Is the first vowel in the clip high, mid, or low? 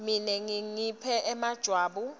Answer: high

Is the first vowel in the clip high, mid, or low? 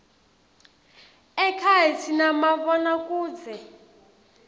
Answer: mid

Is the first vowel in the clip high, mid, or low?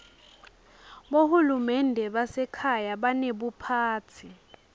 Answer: mid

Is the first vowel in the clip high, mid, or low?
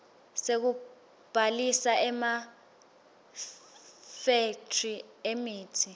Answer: mid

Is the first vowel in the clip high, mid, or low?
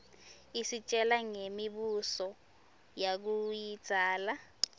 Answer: high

